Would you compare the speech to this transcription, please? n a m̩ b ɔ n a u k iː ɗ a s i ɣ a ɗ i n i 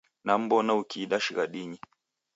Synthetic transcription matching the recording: n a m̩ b ɔ n a u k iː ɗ a ʃ i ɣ a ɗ i ɲ i